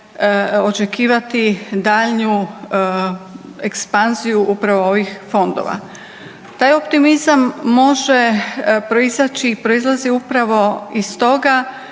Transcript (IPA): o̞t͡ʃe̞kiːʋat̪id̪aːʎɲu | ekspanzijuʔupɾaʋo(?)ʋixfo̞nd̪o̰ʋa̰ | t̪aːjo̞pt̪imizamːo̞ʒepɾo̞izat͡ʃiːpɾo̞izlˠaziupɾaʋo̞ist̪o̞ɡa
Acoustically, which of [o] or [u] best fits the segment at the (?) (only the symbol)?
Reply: o